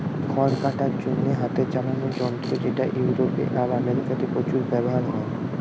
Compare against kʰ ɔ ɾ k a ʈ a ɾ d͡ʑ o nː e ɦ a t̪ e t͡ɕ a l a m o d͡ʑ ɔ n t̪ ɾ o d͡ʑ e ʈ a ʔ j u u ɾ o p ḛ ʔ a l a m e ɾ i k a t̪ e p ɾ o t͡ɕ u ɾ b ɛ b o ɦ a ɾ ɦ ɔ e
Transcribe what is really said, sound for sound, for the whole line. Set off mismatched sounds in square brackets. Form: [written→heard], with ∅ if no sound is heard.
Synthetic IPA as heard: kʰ ɔ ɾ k a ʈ a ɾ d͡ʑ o nː e ɦ a t̪ e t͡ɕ a l a [m→n] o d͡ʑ ɔ n t̪ ɾ o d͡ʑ e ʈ a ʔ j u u ɾ o p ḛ ʔ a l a m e ɾ i k a t̪ e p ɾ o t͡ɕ u ɾ b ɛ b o ɦ a ɾ ɦ ɔ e